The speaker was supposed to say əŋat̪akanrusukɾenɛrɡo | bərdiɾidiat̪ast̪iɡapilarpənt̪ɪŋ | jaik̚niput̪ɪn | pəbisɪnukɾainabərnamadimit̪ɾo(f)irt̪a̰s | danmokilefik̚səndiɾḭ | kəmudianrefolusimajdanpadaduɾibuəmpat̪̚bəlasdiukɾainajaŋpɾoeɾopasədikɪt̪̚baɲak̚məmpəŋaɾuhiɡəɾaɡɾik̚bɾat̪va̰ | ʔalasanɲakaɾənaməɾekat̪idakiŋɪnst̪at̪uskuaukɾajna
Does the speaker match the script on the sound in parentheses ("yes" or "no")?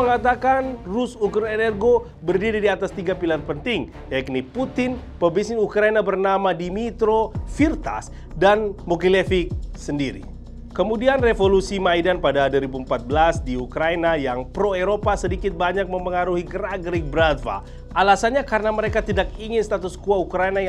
yes